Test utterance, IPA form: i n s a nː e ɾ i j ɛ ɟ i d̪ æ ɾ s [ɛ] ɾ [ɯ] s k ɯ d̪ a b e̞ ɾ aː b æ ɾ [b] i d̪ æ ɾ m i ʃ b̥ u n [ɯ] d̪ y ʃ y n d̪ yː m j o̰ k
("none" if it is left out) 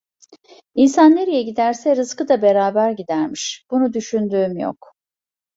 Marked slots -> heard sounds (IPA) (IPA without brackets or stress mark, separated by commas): ɛ, ɯ, ɟ, u